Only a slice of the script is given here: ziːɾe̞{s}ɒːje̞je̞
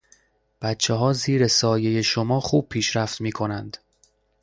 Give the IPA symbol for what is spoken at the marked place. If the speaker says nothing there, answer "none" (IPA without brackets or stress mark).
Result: s